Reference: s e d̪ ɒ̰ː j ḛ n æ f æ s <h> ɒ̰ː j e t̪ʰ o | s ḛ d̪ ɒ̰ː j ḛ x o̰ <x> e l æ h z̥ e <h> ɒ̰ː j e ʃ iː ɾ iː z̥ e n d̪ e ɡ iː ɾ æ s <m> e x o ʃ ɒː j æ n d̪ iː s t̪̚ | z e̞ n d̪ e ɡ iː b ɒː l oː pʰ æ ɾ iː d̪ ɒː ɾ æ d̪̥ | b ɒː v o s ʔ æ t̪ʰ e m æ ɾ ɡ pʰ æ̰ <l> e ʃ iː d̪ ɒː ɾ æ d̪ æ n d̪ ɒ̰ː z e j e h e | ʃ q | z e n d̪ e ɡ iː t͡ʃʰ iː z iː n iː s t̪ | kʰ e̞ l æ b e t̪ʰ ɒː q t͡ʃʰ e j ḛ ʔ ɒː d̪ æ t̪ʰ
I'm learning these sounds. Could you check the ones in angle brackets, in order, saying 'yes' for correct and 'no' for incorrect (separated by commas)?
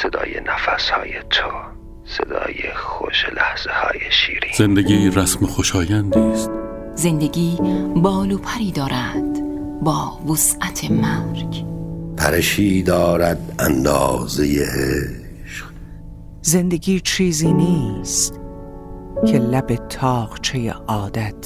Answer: yes, no, yes, yes, no